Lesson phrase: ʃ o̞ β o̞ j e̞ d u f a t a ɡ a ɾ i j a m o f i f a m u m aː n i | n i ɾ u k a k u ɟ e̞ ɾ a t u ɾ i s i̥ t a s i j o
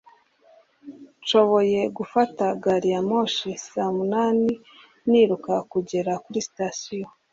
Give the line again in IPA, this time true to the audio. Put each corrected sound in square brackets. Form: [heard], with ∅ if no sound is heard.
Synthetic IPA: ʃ o̞ β o̞ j e̞ [ɡ] u f a t a ɡ a ɾ i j a m o [ʃ] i [s] a m u [n] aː n i | n i ɾ u k a k u ɟ e̞ ɾ a [k] u ɾ i s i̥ t a s i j o